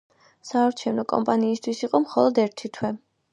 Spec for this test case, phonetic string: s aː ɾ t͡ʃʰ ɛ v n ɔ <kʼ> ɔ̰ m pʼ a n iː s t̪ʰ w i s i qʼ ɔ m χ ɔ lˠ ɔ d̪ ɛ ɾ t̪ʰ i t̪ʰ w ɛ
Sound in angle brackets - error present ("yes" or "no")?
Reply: no